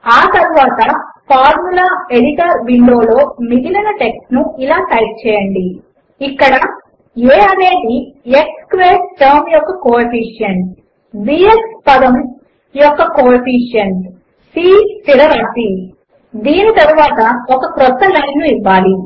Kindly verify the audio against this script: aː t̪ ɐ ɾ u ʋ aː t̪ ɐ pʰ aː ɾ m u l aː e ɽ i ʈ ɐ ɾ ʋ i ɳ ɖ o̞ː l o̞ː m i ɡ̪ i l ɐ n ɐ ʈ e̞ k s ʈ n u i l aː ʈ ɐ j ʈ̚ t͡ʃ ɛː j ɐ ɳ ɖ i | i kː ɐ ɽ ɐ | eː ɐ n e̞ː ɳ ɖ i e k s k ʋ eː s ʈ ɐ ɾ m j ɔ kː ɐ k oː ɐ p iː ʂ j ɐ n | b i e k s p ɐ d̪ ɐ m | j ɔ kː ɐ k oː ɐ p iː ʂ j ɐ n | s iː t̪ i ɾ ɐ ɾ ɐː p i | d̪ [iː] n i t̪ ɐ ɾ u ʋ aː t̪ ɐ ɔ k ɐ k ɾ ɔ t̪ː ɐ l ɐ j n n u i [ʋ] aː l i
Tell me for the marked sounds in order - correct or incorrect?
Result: correct, incorrect: ʋː

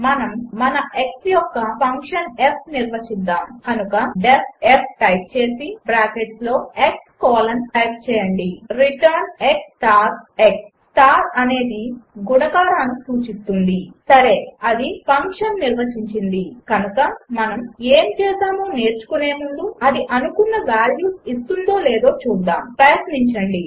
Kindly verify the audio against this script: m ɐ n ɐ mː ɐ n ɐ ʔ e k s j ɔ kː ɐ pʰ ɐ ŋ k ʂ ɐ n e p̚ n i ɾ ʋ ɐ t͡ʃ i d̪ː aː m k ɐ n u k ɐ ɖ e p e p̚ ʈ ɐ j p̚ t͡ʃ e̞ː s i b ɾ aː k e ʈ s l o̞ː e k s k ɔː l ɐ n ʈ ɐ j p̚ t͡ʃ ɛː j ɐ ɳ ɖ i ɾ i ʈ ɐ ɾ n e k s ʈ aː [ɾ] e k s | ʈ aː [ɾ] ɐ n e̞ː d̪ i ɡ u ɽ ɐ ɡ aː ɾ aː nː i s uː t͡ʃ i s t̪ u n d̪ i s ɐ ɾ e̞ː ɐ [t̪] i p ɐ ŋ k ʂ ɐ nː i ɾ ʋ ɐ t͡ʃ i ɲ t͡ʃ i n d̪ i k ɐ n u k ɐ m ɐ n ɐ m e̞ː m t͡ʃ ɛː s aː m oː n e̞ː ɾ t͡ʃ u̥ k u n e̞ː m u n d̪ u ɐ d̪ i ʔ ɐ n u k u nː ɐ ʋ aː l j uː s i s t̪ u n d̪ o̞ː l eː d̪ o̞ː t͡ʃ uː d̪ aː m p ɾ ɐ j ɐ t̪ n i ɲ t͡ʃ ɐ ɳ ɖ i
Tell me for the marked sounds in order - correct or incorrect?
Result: correct, correct, incorrect: d̪

